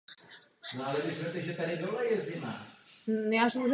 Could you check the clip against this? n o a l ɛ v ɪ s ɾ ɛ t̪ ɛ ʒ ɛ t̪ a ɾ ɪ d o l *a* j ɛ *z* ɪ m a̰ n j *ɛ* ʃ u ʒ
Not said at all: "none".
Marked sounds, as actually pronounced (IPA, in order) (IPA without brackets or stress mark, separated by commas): ɛ, z, a